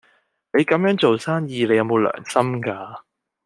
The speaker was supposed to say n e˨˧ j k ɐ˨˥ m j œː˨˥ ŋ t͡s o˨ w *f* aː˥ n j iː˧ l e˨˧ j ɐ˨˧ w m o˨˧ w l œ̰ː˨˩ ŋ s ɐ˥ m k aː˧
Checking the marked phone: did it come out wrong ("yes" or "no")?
yes